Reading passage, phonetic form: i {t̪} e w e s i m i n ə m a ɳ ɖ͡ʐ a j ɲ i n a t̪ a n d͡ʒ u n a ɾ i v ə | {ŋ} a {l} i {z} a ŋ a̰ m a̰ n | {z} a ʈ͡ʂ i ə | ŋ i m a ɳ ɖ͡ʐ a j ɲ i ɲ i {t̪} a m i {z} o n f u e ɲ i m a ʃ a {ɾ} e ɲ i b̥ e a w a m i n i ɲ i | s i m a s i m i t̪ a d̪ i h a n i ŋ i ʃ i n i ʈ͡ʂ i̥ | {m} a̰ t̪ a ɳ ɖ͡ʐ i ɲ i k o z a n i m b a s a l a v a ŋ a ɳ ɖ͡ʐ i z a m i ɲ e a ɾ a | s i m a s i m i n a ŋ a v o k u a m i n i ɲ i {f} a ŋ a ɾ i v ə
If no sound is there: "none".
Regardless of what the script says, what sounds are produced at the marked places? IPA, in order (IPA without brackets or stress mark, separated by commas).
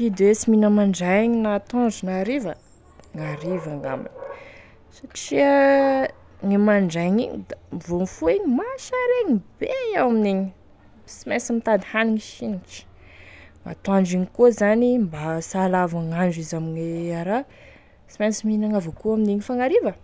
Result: d̪, ŋ, ɾ, v, s, d̪, v, ɾ, ŋ, f